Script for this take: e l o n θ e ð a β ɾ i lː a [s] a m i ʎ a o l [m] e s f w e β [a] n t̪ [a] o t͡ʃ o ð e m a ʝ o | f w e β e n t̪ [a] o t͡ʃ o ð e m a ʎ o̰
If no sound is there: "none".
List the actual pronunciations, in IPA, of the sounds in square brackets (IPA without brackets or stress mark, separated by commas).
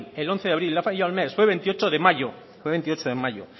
f, m, e, i, i